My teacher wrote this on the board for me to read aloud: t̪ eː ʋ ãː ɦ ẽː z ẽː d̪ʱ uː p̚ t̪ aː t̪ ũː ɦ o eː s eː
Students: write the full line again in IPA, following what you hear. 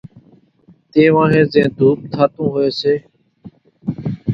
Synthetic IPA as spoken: t̪ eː ʋ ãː ɦ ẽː z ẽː d̪ʱ uː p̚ t̪ʰ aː t̪ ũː ɦ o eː s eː